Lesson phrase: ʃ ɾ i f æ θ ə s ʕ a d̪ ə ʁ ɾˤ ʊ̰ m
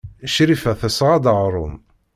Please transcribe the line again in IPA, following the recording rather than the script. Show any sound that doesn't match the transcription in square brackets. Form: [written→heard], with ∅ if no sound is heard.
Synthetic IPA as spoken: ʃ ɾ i f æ θ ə s [ʕ→ʁ] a d̪ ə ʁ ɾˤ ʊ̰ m